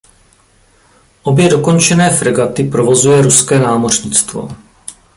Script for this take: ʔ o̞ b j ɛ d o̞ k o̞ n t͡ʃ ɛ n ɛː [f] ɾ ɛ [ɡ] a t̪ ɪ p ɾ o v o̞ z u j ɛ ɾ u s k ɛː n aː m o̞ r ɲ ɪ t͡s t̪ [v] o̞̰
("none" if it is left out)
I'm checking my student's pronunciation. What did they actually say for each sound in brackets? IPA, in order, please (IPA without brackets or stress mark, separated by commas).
f, ɡ, v